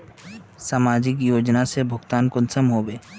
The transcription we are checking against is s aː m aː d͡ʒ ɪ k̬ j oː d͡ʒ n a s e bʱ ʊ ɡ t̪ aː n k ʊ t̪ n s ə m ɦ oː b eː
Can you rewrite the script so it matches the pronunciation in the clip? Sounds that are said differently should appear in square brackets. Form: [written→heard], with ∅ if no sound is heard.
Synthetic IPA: s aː m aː d͡ʒ ɪ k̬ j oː d͡ʒ n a s e bʱ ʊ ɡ t̪ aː n k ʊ [t̪→∅] n s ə m ɦ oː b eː